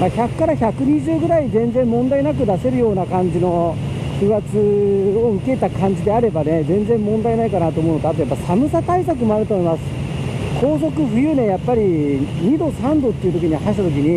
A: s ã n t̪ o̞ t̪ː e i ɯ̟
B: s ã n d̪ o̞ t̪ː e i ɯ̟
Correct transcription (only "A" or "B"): B